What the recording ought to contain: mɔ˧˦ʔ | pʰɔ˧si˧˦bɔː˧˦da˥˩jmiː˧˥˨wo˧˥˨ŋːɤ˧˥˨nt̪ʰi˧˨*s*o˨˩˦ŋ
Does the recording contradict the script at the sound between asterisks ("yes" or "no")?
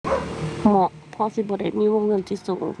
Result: no